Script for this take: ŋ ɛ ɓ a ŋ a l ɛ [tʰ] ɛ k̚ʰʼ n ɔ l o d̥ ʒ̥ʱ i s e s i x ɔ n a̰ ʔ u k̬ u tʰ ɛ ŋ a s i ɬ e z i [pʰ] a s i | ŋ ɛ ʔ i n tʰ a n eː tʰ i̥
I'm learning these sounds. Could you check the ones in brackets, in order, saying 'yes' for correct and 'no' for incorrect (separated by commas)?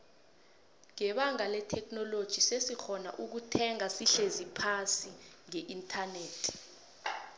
yes, yes